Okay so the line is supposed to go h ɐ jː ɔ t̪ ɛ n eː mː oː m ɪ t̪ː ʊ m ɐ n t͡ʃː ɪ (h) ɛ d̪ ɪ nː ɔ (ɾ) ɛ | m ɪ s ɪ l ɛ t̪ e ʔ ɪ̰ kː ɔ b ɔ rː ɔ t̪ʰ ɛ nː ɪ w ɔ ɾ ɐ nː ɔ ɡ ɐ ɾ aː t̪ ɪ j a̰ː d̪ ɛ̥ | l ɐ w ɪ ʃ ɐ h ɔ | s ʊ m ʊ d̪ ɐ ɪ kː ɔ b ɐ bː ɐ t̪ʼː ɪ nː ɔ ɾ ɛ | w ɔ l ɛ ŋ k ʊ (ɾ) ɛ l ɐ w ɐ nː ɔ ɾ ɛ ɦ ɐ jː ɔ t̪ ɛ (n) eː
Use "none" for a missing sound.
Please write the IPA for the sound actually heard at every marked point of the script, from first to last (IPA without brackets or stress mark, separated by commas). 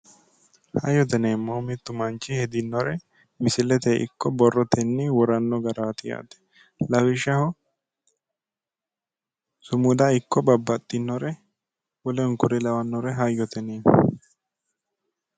h, ɾ, ɾ, n